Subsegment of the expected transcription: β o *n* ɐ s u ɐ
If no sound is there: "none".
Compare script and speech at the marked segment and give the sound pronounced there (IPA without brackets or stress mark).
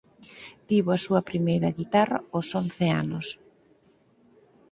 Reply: none